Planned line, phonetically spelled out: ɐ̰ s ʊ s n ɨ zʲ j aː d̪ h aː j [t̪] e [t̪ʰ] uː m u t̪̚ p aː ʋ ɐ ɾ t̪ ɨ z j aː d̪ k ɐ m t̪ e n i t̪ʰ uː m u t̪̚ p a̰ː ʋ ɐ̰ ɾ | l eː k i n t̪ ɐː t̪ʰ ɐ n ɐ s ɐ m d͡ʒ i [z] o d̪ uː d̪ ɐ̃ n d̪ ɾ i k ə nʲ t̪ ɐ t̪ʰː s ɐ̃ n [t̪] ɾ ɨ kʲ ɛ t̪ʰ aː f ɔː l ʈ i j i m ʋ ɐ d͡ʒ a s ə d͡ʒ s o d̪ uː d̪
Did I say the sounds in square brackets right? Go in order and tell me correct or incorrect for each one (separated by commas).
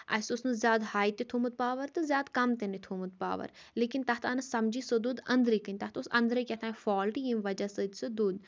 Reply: correct, correct, incorrect, incorrect